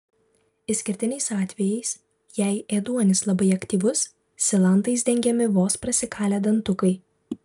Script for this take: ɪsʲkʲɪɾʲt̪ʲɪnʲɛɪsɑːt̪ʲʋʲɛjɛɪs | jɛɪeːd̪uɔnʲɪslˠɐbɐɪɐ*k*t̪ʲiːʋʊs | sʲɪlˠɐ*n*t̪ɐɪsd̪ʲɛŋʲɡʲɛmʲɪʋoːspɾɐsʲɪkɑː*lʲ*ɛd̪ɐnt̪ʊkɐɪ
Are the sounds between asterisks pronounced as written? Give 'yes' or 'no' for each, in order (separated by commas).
yes, yes, yes